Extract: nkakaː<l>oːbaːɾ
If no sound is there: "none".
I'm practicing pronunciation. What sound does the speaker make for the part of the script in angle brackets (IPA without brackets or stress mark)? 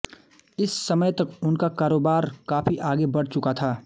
ɾ